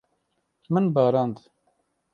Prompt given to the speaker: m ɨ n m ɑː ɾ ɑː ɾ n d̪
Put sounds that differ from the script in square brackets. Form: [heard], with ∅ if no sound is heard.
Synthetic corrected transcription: m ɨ n [b] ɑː ɾ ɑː [∅] n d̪